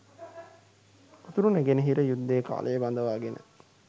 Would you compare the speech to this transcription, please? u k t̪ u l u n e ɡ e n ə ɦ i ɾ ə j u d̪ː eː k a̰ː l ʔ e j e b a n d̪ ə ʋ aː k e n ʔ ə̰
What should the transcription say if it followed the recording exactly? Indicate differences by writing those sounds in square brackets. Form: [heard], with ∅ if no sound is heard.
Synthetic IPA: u [∅] t̪ u [ɾ] u n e ɡ e n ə ɦ i ɾ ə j u d̪ː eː k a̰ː l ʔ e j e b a n d̪ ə ʋ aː [ɡ] e n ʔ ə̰